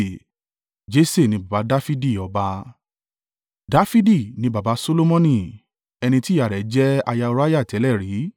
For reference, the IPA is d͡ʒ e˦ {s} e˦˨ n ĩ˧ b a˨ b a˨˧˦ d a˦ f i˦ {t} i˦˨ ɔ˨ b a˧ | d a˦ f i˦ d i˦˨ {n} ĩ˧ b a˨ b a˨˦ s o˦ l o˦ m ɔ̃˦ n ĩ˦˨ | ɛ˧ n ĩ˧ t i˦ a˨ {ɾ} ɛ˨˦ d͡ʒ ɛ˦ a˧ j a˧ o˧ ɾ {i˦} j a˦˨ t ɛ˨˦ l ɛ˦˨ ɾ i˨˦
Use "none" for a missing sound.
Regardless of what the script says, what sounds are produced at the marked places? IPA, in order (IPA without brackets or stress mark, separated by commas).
s, d, n, ɾ, a˦